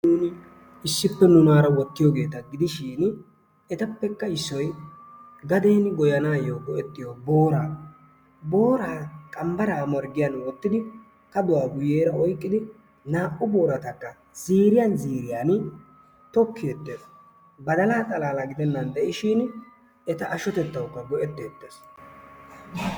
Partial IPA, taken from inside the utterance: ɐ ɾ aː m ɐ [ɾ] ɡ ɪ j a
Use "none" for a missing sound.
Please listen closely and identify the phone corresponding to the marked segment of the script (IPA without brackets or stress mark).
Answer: ɾ